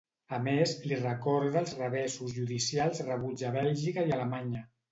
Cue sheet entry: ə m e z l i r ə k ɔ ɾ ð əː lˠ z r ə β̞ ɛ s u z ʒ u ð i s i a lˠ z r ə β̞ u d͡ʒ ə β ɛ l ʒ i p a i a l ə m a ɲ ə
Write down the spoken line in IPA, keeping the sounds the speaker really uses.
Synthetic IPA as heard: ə m e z l i r ə k ɔ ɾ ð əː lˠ z r ə β̞ ɛ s u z ʒ u ð i s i a lˠ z r ə β̞ u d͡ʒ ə β ɛ l ʒ i k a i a l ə m a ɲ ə